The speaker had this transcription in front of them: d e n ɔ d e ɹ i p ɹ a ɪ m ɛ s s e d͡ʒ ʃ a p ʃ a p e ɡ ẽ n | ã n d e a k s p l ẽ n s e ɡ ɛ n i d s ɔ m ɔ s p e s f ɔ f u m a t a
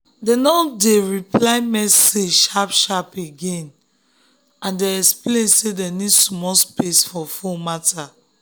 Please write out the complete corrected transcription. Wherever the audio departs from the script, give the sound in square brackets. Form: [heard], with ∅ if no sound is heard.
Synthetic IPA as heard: d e n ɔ d e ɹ i p [l] a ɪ m ɛ s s e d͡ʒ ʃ a p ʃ a p e ɡ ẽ n | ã n d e [ɛ] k s p l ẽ n s e [d] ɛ n i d s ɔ m ɔ s p e s f ɔ f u m a t a